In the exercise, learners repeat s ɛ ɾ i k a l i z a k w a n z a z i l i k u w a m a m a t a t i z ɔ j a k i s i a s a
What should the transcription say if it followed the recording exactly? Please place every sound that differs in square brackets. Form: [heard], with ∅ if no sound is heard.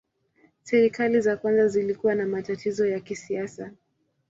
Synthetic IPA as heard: s ɛ ɾ i k a l i z a k w a n z a z i l i k u w a [n] a m a t a t i z ɔ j a k i s i a s a